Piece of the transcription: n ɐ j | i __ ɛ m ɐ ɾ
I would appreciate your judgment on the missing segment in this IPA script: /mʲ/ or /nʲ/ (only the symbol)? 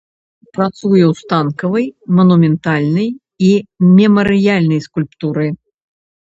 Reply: mʲ